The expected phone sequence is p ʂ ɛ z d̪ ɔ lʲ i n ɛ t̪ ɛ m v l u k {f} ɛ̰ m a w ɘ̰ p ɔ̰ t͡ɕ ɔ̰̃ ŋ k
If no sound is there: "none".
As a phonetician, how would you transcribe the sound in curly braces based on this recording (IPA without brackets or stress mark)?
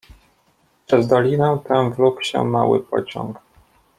ɕ